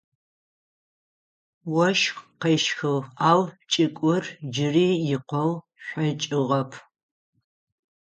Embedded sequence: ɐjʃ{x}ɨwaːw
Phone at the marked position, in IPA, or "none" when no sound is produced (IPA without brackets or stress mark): x